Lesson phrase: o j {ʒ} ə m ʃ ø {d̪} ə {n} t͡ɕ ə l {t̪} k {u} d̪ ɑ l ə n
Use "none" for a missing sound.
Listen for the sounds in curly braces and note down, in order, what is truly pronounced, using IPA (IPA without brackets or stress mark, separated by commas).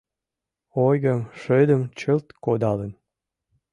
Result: ɣ, d̪, m, t̪, o